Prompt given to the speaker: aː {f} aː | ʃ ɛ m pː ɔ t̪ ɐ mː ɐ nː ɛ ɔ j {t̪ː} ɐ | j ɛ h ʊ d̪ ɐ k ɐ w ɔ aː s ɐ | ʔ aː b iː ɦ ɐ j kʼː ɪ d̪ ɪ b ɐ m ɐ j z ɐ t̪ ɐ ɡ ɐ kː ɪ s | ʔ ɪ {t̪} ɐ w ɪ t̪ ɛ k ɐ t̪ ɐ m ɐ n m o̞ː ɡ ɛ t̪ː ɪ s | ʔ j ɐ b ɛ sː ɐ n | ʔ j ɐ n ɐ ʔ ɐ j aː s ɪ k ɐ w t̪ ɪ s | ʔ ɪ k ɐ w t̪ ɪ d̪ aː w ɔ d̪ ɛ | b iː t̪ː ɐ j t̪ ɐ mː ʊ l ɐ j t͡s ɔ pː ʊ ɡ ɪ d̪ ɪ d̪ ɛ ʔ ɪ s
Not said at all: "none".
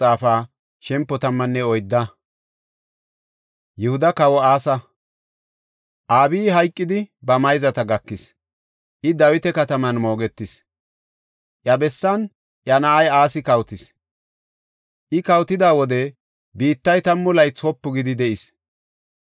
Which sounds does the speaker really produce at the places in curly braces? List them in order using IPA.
f, d̪ː, d̪

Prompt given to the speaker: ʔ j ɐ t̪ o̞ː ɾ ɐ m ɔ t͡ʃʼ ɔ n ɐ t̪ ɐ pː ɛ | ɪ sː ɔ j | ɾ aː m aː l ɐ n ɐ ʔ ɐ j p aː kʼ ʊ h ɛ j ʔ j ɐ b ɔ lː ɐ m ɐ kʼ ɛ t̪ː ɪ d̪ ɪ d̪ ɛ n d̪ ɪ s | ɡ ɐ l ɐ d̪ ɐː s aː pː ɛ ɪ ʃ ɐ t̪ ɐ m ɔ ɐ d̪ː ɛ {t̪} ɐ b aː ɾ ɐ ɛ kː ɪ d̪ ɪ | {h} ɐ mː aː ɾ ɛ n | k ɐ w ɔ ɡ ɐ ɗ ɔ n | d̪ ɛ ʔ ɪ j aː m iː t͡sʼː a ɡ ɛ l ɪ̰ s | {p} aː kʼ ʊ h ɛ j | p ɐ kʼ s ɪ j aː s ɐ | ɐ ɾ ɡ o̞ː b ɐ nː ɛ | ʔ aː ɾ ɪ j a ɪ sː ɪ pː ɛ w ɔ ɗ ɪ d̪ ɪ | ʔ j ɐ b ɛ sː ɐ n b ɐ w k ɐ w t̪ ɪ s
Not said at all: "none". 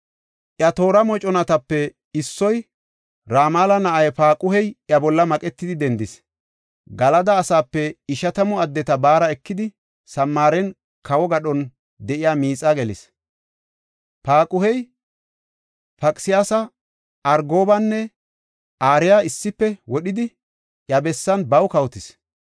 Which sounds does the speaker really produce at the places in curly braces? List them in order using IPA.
t̪, s, p

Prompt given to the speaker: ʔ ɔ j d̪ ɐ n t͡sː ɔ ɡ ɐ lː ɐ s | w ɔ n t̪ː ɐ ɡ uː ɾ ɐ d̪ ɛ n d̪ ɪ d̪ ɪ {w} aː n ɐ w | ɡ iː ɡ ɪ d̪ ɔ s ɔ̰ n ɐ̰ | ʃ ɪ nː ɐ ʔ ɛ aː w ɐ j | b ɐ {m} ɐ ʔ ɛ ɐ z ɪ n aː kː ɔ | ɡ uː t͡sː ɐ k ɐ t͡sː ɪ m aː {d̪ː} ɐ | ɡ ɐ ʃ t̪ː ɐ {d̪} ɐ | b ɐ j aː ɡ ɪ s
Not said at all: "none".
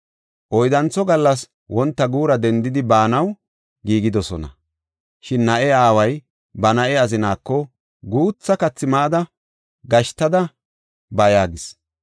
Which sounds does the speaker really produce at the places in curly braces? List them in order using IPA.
b, n, d̪, d̪

